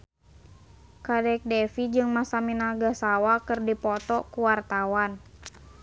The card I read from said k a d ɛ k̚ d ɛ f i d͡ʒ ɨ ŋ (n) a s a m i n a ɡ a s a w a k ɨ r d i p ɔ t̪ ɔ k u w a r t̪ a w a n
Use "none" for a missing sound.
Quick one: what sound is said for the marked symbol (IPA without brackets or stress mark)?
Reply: m